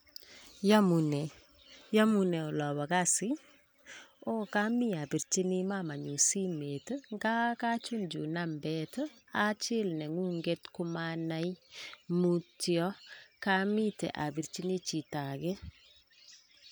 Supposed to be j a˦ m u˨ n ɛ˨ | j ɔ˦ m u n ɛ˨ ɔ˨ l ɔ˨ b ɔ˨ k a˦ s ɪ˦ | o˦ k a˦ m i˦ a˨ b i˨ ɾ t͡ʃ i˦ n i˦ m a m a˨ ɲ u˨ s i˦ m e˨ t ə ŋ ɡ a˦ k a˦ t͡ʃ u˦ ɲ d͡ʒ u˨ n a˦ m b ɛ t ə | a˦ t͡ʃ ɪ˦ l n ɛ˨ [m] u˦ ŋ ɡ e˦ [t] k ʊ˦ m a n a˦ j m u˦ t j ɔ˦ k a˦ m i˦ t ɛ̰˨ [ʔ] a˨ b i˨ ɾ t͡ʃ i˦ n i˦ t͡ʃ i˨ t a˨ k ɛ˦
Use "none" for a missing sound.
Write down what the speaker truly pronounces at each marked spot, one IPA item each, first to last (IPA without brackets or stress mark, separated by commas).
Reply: ŋ, t, ʔ